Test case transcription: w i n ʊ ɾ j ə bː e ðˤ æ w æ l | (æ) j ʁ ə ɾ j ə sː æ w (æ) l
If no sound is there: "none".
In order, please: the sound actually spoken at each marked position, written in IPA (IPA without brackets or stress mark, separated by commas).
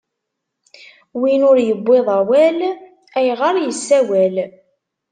æ, æ